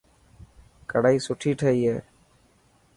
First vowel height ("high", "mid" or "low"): mid